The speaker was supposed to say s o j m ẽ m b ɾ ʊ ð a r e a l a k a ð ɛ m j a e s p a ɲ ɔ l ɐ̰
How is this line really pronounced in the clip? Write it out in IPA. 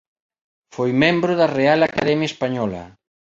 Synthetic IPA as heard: f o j m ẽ m b ɾ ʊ ð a r e a l a k a ð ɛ m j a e s p a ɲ ɔ l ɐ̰